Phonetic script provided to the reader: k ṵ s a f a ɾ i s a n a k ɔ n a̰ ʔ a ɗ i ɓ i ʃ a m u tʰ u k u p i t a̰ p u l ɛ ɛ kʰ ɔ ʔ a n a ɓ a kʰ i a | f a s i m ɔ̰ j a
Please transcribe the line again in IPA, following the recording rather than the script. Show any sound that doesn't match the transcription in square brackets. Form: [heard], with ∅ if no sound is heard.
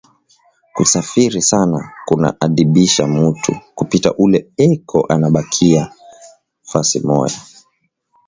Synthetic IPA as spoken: k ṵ s a f [i] ɾ i s a n a k [u] n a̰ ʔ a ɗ i ɓ i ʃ a m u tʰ u k u p i t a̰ [ʔ] u l ɛ ɛ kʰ ɔ ʔ a n a ɓ a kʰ i a | f a s i m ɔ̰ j a

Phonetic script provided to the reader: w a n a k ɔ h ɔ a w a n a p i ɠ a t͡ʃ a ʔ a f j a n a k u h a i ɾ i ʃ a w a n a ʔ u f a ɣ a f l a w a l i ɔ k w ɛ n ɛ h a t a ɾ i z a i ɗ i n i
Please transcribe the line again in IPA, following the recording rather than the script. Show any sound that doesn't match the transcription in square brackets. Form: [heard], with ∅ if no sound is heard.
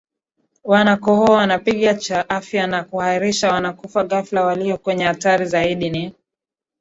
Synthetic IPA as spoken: w a n a k ɔ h ɔ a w a n a p i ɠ a t͡ʃ a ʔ a f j a n a k u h a i ɾ i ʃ a w a n a [k] u f a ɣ a f l a w a l i ɔ k w ɛ [ɲ] ɛ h a t a ɾ i z a i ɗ i n i

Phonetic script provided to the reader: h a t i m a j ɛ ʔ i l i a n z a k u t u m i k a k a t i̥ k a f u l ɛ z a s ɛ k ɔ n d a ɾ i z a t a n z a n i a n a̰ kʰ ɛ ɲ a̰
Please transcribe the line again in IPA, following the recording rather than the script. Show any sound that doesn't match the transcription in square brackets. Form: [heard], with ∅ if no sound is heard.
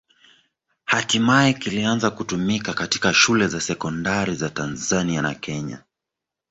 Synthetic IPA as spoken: h a t i m a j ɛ [k] i l i a n z a k u t u m i k a k a t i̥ k a [ʃ] u l ɛ z a s ɛ k ɔ n d a ɾ i z a t a n z a n i a n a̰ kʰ ɛ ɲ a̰

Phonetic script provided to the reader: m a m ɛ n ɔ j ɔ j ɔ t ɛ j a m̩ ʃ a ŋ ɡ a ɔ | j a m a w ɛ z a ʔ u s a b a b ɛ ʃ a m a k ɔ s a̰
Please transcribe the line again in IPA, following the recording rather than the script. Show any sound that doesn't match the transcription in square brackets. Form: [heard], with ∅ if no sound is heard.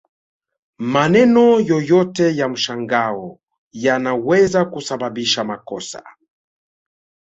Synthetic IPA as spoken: m a [n] ɛ n ɔ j ɔ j ɔ t ɛ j a m̩ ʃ a ŋ ɡ a ɔ | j a [n] a w ɛ z a [k] u s a b a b [i] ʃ a m a k ɔ s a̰

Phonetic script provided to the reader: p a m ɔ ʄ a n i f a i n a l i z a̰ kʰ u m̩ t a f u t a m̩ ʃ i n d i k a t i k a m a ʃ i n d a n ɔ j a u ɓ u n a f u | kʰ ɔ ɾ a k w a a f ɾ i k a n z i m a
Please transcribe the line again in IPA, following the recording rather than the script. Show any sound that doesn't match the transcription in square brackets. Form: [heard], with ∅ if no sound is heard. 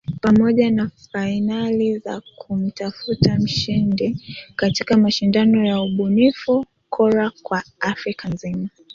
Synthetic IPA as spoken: p a m ɔ ʄ a n [a] f a i n a l i z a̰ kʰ u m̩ t a f u t a m̩ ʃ i n d i k a t i k a m a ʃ i n d a n ɔ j a u ɓ u n [i] f u | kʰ ɔ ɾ a k w a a f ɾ i k a n z i m a

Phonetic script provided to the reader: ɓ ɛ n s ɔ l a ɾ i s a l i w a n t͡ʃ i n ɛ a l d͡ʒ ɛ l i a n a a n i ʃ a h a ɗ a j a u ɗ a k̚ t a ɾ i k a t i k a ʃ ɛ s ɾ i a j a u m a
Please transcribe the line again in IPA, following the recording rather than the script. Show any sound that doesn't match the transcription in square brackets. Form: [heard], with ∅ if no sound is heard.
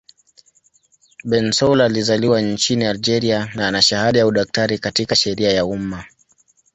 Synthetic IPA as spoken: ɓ ɛ n s ɔ l a [l] i [z] a l i w a n t͡ʃ i n [i] a l d͡ʒ ɛ [ɾ] i a n a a n [a] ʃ a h a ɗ a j a u ɗ a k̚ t a ɾ i k a t i k a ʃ ɛ [∅] ɾ i a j a u m a

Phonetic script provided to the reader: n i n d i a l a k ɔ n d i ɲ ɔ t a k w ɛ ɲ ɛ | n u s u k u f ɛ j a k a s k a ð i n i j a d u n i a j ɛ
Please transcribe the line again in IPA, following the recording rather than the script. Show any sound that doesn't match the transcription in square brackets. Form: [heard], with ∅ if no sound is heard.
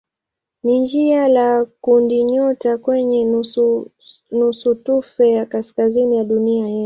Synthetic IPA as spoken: n i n [d͡ʒ] i a l a k [u] n d i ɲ ɔ t a k w ɛ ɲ ɛ | n u s u [t] u f ɛ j a k a s k a [z] i n i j a [ɗ] u n i a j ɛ

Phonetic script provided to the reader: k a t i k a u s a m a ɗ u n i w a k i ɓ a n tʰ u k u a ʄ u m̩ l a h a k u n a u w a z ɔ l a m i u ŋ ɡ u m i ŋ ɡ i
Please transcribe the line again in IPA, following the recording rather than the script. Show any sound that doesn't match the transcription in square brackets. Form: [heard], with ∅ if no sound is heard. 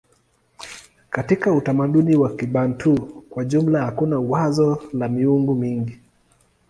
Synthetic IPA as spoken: k a t i k a u [t] a m a ɗ u n i w a k i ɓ a n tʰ u k [w] a ʄ u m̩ l a h a k u n a u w a z ɔ l a m i u ŋ ɡ u m i ŋ ɡ i

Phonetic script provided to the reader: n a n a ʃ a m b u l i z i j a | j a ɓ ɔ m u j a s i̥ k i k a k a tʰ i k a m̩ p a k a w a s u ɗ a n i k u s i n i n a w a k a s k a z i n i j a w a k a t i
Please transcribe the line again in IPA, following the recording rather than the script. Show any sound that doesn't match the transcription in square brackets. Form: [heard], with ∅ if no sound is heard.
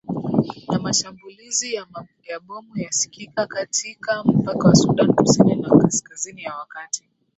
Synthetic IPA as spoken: n a [m] a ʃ a m b u l i z i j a | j a ɓ ɔ m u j a s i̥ k i k a k a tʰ i k a m̩ p a k a w a s u ɗ a n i k u s i n i n a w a k a s k a z i n i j a w a k a t i

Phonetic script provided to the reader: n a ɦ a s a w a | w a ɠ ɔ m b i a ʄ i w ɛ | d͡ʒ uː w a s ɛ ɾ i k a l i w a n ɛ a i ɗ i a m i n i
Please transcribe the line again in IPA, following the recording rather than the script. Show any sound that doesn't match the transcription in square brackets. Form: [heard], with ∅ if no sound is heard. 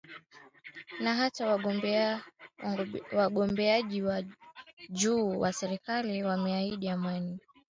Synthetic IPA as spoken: n a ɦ a [t] a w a | w a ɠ ɔ m b [ɛ] a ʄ i w [a] | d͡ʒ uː w a s ɛ ɾ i k a l i w a [m] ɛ a i ɗ i a m [a] n i

